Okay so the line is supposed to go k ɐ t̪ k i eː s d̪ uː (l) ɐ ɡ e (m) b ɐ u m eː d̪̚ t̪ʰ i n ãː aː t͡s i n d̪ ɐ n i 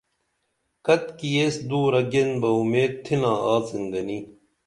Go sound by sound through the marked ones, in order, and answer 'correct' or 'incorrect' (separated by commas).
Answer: incorrect, incorrect